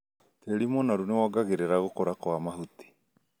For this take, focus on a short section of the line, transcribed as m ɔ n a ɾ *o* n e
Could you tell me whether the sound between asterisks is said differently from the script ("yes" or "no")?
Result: yes